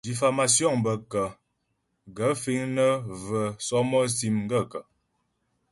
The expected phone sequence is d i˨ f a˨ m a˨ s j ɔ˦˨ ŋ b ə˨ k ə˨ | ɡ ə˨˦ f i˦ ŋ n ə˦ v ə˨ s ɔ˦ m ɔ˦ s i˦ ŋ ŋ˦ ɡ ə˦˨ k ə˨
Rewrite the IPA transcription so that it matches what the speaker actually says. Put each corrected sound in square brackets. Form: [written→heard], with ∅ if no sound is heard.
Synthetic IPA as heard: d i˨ f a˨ m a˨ s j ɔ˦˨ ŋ b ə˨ k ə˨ | ɡ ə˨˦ f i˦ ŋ n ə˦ v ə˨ s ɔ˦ m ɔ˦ s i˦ [ŋ→m] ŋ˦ ɡ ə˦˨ k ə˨